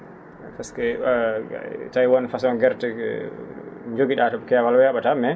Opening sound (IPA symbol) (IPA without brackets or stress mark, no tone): f